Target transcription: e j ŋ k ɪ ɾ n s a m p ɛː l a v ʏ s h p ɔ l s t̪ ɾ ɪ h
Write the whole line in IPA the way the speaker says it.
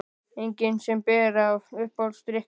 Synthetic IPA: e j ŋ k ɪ n s ɛ m p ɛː ɾ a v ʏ h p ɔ l s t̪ ɾ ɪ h